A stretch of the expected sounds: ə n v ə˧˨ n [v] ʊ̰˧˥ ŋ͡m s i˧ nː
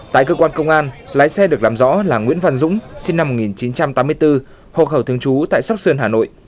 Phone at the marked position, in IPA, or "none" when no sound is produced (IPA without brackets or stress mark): z